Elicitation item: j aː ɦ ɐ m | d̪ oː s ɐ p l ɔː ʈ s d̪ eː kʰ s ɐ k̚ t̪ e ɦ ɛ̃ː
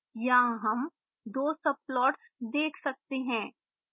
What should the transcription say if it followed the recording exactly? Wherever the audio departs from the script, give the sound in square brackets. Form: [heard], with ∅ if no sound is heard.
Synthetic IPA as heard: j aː ɦ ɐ m | d̪ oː s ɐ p l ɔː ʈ s d̪ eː kʰ s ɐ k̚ t̪ e ɦ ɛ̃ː